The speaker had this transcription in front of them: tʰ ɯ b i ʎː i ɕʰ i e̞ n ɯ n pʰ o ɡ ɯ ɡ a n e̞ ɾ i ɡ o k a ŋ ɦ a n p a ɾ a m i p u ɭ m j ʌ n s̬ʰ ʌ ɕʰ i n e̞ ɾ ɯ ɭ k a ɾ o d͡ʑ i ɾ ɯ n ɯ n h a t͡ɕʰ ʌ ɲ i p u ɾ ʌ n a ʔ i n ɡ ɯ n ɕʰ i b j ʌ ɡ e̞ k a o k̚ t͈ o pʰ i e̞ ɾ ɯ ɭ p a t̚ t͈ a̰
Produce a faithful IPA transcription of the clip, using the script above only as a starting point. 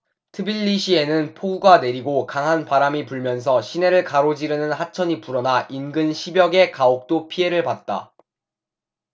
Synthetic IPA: tʰ ɯ b i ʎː i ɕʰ i e̞ n ɯ n pʰ o ɡ u ɡ a n e̞ ɾ i ɡ o k a ŋ ɦ a n p a ɾ a m i p u ɭ m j ʌ n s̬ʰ ʌ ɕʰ i n e̞ ɾ ɯ ɭ k a ɾ o d͡ʑ i ɾ ɯ n ɯ n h a t͡ɕʰ ʌ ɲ i p u ɾ ʌ n a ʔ i n ɡ ɯ n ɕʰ i b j ʌ ɡ e̞ k a o k̚ t͈ o pʰ i e̞ ɾ ɯ ɭ p a t̚ t͈ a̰

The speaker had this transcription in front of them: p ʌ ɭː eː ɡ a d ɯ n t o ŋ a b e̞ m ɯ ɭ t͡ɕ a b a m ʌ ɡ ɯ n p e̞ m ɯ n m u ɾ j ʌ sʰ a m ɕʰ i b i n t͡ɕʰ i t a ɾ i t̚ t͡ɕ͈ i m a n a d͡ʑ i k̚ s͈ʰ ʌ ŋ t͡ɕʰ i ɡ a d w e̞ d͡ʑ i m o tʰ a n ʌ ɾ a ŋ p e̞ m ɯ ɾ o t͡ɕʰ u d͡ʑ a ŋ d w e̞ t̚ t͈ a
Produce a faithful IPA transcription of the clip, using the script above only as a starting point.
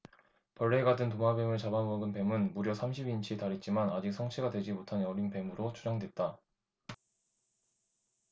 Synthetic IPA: p ʌ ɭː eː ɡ a d ɯ n t o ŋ a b e̞ m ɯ ɭ t͡ɕ a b a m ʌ ɡ ɯ n p e̞ m ɯ n m u ɾ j ʌ sʰ a m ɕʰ i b i n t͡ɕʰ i t a ɾ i t̚ t͡ɕ͈ i m a n a d͡ʑ i k̚ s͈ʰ ʌ ŋ t͡ɕʰ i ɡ a d w e̞ d͡ʑ i m o tʰ a n ʌ ɾ i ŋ p e̞ m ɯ ɾ o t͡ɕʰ u d͡ʑ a ŋ d w e̞ t̚ t͈ a

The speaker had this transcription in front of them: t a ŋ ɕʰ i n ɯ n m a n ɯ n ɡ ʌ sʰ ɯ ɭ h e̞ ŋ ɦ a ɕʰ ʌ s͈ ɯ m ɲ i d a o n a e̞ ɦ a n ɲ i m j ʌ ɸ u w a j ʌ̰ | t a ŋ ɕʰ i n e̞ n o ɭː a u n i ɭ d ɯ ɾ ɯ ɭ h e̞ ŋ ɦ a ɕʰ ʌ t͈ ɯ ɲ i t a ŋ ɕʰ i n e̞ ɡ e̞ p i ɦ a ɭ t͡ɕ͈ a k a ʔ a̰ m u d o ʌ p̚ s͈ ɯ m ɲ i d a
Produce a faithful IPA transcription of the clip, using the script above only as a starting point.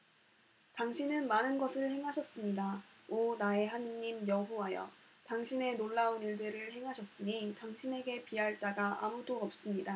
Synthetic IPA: t a ŋ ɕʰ i n ɯ n m a n ɯ n ɡ ʌ sʰ ɯ ɭ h e̞ ŋ ɦ a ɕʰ ʌ s͈ ɯ m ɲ i d a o n a e̞ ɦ a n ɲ i m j ʌ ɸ u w a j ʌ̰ | t a ŋ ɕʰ i n e̞ n o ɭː a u n i ɭ d ɯ ɾ ɯ ɭ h e̞ ŋ ɦ a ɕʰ ʌ s͈ ɯ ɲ i t a ŋ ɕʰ i n e̞ ɡ e̞ p i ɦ a ɭ t͡ɕ͈ a ɡ a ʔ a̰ m u d o ʌ p̚ s͈ ɯ m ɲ i d a

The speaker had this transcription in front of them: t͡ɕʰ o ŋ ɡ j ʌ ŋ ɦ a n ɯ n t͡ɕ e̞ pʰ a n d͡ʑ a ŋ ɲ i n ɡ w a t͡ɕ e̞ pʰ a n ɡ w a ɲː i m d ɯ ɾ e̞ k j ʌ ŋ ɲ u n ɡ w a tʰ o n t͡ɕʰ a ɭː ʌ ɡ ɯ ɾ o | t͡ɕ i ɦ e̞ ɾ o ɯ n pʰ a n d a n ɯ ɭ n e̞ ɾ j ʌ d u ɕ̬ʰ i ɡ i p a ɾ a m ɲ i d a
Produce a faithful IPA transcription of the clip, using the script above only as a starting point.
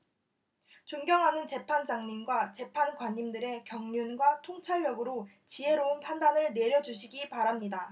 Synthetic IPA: t͡ɕ o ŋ ɡ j ʌ ŋ ɦ a n ɯ n t͡ɕ e̞ pʰ a n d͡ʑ a ŋ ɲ i n ɡ w a t͡ɕ e̞ pʰ a n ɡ w a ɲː i m d ɯ ɾ e̞ k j ʌ ŋ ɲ u n ɡ w a tʰ o ŋ t͡ɕʰ a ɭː ʌ ɡ ɯ ɾ o | t͡ɕ i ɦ e̞ ɾ o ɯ n pʰ a n d a n ɯ ɭ n e̞ ɾ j ʌ d͡ʑ u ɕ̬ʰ i ɡ i p a ɾ a m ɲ i d a

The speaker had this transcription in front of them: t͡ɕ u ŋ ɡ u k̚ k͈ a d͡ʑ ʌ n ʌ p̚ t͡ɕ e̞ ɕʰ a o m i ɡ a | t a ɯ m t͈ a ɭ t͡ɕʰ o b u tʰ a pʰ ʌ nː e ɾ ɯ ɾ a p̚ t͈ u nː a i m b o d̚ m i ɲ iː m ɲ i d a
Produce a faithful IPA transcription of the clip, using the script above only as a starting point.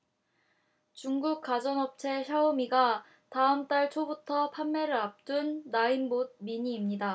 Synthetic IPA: t͡ɕ u ŋ ɡ u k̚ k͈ a d͡ʑ ʌ n ʌ p̚ t͡ɕʰ e̞ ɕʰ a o m i ɡ a | t a ɯ m t͈ a ɭ t͡ɕʰ o b u tʰ ʌ pʰ a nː e ɾ ɯ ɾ a p̚ t͈ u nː a i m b o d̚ m i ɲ iː m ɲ i d a

